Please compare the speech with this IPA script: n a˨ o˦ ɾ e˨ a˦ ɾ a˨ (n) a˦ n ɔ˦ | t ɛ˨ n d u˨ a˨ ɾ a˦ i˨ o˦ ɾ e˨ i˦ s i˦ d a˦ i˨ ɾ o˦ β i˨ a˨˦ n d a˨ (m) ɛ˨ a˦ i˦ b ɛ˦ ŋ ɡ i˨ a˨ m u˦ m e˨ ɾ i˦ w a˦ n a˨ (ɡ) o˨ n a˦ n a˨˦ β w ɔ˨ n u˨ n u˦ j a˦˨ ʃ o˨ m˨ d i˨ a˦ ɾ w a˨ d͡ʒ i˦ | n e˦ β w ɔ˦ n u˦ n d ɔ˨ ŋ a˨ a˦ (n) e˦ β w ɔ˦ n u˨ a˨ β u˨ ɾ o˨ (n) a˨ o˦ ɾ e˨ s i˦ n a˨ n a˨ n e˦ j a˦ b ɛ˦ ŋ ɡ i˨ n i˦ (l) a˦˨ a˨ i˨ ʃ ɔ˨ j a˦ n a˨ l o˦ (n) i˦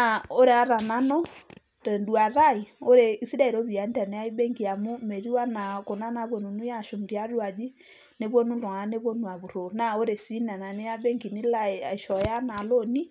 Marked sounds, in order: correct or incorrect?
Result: correct, incorrect: n, incorrect: k, correct, correct, correct, correct

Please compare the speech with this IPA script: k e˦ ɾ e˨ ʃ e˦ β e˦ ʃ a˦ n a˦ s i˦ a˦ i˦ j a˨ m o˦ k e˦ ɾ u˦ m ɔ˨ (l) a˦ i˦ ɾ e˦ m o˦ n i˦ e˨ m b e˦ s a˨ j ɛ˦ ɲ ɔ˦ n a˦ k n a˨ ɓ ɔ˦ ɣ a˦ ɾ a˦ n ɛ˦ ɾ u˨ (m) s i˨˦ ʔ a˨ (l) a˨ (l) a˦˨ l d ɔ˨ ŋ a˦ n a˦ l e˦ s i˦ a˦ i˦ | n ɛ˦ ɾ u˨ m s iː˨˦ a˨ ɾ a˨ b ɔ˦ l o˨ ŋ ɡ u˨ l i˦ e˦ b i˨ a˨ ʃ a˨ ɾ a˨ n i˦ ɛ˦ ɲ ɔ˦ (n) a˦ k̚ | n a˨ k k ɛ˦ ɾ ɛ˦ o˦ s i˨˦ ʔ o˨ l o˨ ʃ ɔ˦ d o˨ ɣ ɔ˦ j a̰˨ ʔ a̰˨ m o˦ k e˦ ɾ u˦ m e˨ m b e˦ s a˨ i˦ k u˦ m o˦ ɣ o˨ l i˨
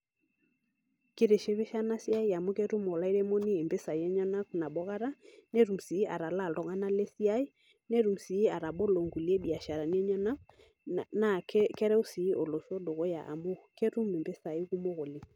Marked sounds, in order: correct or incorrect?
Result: correct, correct, incorrect: ɾ, correct, correct

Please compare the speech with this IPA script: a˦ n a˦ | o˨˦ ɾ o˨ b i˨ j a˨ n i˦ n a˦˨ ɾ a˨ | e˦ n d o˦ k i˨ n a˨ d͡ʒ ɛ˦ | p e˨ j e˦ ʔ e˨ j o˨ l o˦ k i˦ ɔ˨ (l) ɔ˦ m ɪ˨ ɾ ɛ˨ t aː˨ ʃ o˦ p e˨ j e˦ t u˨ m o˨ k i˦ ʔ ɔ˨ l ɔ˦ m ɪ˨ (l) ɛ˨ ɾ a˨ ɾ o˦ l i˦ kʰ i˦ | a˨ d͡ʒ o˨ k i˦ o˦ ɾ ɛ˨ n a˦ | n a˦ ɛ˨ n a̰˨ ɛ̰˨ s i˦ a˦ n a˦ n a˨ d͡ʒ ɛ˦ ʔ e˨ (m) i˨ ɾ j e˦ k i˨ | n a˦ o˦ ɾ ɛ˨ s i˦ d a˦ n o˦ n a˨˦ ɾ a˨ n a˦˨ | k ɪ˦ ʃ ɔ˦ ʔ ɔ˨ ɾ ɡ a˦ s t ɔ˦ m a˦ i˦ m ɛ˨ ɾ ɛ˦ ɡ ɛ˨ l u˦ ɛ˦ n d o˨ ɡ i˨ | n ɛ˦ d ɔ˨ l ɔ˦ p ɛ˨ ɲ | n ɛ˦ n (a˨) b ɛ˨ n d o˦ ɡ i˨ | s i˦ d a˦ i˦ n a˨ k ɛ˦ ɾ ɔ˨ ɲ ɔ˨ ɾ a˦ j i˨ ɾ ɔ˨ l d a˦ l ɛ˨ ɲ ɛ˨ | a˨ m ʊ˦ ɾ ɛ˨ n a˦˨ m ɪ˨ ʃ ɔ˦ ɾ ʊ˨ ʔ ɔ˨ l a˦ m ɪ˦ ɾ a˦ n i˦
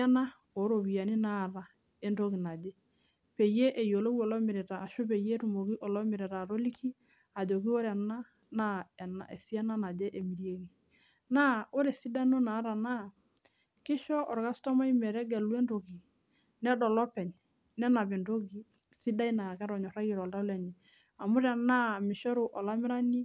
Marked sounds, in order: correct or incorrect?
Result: correct, incorrect: ɾ, correct, correct

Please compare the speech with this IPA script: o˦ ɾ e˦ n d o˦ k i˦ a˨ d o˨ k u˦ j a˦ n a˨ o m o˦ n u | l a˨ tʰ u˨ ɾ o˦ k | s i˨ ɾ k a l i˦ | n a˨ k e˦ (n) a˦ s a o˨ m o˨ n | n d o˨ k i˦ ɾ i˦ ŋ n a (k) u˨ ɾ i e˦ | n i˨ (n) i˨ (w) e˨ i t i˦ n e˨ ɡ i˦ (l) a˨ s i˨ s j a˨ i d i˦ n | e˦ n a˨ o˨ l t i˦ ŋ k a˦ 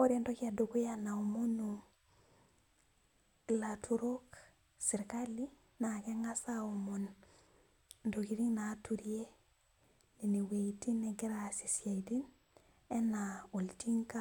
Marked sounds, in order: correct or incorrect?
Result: incorrect: ŋ, incorrect: t, correct, correct, incorrect: ɾ

